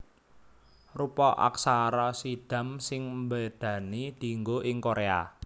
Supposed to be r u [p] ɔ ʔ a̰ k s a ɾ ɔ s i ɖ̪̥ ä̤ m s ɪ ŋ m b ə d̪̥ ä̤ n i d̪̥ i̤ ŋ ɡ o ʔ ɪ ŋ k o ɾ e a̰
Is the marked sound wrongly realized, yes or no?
no